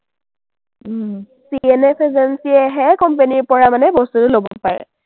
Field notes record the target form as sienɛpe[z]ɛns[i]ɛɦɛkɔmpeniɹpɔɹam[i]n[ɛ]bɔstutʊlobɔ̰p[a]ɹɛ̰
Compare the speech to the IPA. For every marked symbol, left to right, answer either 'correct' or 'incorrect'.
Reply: correct, correct, incorrect: a, correct, correct

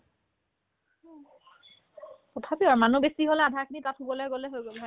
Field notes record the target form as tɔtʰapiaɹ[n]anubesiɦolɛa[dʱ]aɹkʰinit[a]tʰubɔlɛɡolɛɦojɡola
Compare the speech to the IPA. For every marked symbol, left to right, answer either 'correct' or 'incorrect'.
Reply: incorrect: m, correct, correct

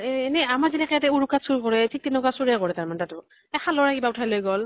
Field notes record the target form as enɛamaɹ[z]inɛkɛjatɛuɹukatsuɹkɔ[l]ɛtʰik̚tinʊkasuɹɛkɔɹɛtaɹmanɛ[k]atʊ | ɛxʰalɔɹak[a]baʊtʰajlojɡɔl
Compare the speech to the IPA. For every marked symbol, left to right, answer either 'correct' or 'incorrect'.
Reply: correct, incorrect: ɹ, incorrect: t, incorrect: i

